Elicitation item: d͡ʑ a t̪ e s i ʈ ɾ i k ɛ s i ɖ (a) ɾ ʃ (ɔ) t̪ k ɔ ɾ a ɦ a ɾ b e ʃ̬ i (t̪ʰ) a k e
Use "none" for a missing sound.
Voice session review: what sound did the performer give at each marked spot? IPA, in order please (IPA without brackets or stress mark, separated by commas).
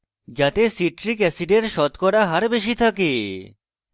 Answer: e, ɔ, t̪ʰ